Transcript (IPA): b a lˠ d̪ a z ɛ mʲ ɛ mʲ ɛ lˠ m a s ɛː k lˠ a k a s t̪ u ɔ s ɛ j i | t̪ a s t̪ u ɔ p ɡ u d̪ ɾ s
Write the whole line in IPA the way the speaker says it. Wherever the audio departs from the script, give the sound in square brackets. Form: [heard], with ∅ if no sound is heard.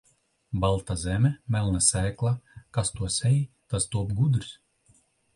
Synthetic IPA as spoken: b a lˠ [t̪] a z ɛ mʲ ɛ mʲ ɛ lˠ [n] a s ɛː k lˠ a k a s t̪ u ɔ s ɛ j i | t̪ a s t̪ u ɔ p ɡ u d̪ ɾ s

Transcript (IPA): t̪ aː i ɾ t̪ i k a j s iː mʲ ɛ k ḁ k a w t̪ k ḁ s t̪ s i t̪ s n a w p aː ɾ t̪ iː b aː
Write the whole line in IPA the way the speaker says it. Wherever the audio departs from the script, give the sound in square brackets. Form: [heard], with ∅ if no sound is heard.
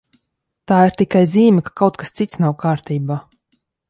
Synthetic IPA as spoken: t̪ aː i ɾ t̪ i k a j [z] iː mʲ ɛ k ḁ k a w t̪ k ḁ s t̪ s i t̪ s n a w [k] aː ɾ t̪ iː b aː

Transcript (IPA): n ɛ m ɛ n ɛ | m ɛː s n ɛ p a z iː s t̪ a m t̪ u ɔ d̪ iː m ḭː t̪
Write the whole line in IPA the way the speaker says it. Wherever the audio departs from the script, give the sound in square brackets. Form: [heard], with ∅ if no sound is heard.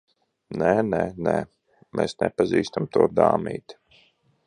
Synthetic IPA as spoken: n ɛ [n] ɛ n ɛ | m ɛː s n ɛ p a z iː s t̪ a m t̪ u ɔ d̪ [aː] m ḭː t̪

